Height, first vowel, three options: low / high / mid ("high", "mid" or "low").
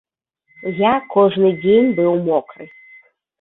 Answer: low